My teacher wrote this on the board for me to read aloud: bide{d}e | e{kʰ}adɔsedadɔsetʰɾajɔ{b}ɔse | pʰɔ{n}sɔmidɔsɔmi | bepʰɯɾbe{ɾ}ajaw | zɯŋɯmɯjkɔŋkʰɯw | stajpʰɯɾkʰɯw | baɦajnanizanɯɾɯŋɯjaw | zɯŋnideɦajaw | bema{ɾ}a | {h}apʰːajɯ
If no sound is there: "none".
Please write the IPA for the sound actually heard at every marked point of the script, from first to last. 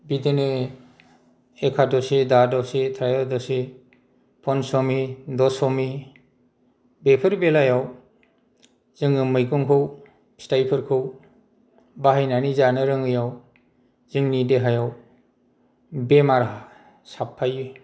n, kʰ, d, n, l, ɾ, s

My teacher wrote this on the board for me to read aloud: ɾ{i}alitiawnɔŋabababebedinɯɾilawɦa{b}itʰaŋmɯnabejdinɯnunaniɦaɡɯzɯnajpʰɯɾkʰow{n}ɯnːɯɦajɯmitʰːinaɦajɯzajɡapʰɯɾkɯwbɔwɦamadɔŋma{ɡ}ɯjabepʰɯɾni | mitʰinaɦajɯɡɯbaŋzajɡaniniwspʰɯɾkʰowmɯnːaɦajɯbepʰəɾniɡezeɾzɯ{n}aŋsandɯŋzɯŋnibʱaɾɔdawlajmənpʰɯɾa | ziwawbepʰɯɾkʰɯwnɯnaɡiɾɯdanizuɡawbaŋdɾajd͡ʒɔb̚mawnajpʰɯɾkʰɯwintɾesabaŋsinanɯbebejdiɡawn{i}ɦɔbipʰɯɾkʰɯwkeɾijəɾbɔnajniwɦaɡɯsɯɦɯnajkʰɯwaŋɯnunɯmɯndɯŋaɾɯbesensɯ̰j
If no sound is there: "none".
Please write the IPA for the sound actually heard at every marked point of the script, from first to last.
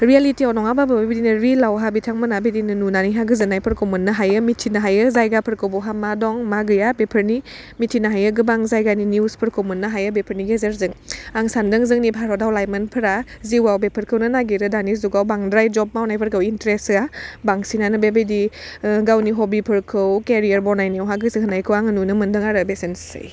i, b, m, ɡ, ŋ, i

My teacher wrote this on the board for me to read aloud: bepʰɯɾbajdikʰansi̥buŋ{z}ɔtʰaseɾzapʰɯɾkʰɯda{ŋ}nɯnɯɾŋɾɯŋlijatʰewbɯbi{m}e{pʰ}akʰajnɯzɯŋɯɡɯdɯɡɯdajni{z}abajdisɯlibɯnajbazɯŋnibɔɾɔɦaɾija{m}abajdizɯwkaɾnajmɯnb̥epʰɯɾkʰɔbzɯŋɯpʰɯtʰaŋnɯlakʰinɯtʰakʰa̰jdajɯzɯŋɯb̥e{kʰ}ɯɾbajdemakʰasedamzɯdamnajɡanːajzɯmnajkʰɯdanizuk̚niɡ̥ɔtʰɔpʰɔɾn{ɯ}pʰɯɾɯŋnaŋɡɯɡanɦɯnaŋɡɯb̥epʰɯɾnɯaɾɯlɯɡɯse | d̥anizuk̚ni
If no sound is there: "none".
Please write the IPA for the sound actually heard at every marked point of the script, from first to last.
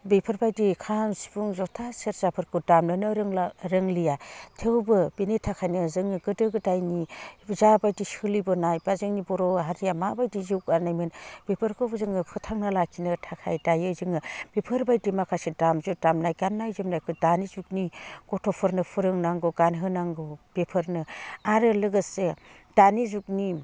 z, m, n, tʰ, z, m, pʰ, ɯ

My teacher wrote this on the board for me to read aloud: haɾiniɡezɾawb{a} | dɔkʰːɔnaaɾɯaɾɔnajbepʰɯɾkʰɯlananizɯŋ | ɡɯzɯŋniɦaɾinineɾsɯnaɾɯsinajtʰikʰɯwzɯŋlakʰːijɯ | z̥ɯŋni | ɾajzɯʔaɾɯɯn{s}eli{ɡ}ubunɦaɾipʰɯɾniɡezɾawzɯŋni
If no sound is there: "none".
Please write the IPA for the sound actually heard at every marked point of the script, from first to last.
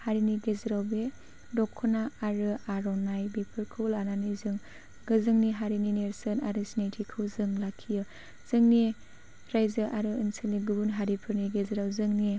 e, s, ɡ

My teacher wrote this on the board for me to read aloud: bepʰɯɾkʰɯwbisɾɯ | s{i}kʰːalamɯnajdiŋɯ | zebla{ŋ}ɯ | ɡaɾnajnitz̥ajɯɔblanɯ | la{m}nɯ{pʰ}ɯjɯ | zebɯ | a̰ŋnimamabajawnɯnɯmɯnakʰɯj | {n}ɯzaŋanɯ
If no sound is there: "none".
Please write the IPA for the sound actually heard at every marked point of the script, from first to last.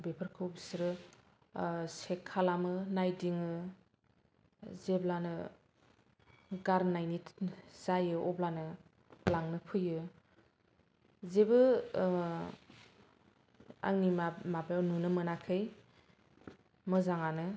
e, n, ŋ, pʰ, m

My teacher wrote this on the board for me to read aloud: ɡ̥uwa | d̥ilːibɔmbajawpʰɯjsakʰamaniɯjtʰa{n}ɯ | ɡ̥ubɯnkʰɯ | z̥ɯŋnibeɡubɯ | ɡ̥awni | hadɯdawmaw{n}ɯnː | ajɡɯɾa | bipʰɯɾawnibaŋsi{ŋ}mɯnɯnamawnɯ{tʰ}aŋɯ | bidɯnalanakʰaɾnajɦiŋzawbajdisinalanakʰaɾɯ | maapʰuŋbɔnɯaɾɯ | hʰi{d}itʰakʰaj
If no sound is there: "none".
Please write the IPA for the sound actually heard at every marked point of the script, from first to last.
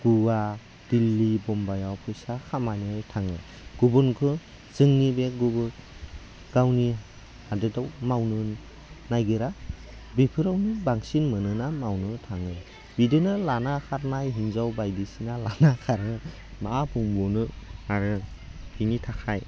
ŋ, n, n, tʰ, n

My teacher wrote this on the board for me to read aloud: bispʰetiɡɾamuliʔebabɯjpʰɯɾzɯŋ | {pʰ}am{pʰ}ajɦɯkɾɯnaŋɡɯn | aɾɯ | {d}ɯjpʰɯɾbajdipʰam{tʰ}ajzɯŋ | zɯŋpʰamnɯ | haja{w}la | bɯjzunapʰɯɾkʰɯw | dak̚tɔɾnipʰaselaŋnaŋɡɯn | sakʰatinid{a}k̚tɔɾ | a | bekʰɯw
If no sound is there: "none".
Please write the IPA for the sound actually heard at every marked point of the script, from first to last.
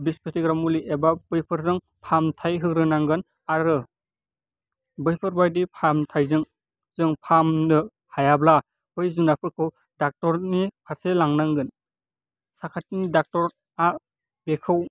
pʰ, tʰ, b, tʰ, b, a

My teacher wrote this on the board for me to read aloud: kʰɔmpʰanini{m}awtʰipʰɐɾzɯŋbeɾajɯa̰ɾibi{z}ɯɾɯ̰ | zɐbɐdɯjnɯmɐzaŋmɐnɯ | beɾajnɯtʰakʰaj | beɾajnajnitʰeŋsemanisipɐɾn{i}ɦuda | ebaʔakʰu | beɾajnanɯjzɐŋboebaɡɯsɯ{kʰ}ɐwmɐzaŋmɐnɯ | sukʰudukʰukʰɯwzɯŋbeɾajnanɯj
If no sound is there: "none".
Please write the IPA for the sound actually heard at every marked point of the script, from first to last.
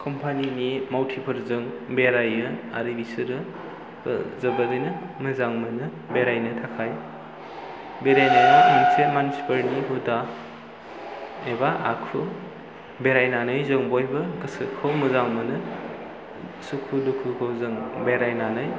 m, s, i, kʰ

